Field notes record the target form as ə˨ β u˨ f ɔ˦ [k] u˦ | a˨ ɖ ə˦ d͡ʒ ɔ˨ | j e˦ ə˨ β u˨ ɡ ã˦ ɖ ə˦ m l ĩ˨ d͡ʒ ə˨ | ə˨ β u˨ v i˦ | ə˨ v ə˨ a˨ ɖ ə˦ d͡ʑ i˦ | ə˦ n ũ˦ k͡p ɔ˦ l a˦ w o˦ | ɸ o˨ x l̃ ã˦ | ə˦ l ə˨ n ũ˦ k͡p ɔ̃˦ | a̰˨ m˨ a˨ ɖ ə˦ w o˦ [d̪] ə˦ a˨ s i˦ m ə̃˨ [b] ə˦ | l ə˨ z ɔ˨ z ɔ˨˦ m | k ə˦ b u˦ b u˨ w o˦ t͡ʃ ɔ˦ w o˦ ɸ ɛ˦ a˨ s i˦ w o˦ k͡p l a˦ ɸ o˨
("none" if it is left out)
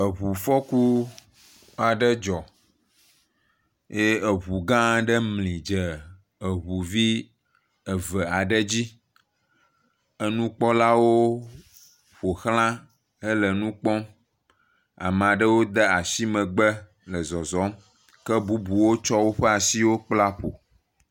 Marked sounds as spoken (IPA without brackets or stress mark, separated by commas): k, d̪, ɡ͡b